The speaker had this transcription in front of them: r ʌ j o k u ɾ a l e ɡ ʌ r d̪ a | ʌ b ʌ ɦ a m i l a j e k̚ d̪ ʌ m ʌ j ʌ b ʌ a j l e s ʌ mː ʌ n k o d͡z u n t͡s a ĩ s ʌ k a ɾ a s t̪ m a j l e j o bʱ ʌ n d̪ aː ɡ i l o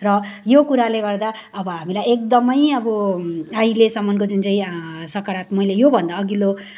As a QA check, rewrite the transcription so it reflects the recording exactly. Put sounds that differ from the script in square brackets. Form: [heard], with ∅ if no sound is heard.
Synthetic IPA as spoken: r ʌ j o k u ɾ a l e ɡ ʌ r d̪ a | ʌ b ʌ ɦ a m i l a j e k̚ d̪ ʌ m ʌ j ʌ b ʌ a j l e s ʌ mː ʌ n k o d͡z u n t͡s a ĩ s ʌ k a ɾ a [∅] t̪ m [ʌ] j l e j o bʱ ʌ n d̪ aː ɡ i l o

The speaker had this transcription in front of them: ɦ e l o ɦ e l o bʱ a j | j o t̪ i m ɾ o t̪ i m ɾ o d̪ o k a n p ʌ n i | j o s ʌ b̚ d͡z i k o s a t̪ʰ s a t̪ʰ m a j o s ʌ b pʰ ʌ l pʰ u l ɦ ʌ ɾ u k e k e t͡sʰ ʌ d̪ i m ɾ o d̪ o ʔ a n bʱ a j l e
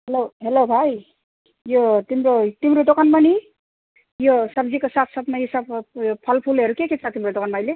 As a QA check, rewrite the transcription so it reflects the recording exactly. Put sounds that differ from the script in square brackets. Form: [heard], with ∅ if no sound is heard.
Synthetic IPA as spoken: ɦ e l o ɦ e l o bʱ a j | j o t̪ i m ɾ o t̪ i m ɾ o d̪ o k a n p ʌ n i | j o s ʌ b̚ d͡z i k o s a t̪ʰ s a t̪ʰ m a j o s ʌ b pʰ ʌ l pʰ u l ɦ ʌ ɾ u k e k e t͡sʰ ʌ [t̪] i m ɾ o d̪ o [k] a n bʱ a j l e

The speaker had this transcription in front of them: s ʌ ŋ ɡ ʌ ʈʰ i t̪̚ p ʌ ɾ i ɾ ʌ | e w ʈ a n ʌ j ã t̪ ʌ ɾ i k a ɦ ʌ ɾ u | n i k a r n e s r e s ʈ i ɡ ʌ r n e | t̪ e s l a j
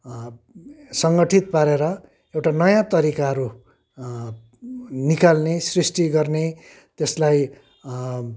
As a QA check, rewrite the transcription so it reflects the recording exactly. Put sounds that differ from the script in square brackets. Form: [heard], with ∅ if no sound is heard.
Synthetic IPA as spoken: s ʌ ŋ ɡ ʌ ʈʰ i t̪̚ p [a] ɾ [e] ɾ ʌ | e w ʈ a n ʌ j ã t̪ ʌ ɾ i k a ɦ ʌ ɾ u | n i k a [l] n e s r [i] s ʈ i ɡ ʌ r n e | t̪ e s l a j

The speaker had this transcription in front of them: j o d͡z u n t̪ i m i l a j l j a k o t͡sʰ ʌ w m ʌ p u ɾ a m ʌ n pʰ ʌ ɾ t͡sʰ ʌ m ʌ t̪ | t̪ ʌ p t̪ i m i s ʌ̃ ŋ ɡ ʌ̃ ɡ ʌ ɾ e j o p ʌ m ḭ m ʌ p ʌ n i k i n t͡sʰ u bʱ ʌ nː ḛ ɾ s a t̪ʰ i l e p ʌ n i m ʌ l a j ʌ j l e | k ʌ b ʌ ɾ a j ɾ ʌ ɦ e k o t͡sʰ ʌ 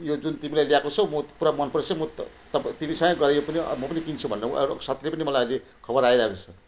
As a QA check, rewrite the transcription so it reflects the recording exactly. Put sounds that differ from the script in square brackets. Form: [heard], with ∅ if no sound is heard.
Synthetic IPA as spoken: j o d͡z u n t̪ i m i l a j l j a k o t͡sʰ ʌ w m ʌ p u ɾ a m ʌ n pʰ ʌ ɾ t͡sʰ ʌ m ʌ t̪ | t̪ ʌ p t̪ i m i s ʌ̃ ŋ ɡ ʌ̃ ɡ ʌ ɾ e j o p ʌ [n] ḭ m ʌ p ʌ n i k i n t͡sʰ u bʱ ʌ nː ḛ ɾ s a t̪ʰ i l e p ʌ n i m ʌ l a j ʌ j l e | [kʰ] ʌ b ʌ ɾ a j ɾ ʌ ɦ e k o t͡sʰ ʌ

